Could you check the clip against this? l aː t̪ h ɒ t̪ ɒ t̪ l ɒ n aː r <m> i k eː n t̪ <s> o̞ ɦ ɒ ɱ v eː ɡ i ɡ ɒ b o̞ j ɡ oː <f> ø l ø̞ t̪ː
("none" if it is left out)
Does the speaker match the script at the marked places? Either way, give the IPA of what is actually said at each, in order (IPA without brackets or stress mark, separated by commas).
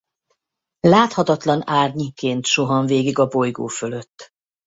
ɲ, ʃ, f